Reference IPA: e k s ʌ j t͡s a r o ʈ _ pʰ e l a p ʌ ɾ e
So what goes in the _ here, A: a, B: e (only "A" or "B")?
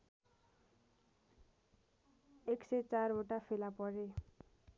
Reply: A